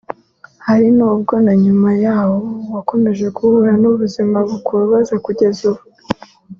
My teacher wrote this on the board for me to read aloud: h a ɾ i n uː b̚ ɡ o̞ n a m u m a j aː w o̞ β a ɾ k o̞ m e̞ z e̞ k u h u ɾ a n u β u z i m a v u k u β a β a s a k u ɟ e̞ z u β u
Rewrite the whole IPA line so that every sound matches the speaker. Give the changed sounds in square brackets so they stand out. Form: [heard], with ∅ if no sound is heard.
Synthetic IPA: h a ɾ i n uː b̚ ɡ o̞ n a [ɲ] u m a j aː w o̞ [w] a [∅] k o̞ m e̞ [ʒ] e̞ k u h u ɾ a n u β u z i m a [β] u k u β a β a [z] a k u ɟ e̞ z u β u